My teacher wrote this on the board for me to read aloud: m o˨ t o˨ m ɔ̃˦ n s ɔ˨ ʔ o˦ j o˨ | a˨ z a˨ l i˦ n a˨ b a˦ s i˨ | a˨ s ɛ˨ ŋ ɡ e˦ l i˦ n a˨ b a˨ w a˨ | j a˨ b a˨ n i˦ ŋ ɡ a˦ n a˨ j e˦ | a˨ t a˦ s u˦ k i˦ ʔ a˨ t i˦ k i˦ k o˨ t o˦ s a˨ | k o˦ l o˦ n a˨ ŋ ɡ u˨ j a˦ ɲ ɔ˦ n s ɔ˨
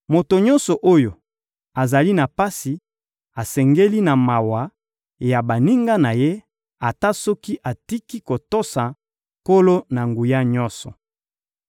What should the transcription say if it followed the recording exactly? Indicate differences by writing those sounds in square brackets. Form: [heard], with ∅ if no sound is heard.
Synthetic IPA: m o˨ t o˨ [ɲ] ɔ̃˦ n s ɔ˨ ʔ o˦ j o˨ | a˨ z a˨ l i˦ n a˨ [p] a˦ s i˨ | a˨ s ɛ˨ ŋ ɡ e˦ l i˦ n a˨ [m] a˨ w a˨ | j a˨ b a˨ n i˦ ŋ ɡ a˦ n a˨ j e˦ | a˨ t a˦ s [ɔ˦] k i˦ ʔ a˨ t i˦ k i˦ k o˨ t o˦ s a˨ | k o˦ l o˦ n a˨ ŋ ɡ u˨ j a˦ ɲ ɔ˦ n s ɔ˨